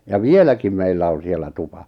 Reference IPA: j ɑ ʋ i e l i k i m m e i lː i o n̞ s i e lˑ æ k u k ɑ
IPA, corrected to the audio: j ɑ ʋ i e l æ k i m m e i lː æ o n̞ s i e lˑ æ t u p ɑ